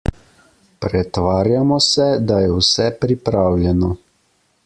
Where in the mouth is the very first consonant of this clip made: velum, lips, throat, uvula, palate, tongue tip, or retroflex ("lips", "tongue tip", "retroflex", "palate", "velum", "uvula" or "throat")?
lips